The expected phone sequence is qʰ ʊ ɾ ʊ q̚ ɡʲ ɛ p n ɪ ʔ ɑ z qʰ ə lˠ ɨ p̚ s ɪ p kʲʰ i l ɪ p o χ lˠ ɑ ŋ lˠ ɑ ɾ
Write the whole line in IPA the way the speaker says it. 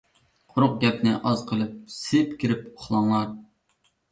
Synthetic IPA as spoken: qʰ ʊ ɾ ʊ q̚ ɡʲ ɛ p n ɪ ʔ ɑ z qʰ ə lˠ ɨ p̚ s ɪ p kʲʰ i ɾ ɪ p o χ lˠ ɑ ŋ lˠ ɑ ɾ